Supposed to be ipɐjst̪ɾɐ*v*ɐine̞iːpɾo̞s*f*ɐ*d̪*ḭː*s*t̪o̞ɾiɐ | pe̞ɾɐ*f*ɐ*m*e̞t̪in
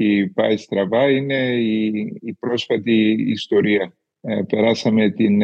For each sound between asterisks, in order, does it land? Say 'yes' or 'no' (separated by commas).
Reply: yes, yes, no, yes, no, yes